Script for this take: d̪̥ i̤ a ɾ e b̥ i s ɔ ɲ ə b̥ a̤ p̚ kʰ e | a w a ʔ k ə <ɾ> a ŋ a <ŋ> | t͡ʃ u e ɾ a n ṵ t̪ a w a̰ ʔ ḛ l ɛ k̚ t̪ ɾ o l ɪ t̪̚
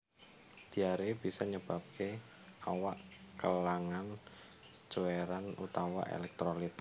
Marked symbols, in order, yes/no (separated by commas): no, no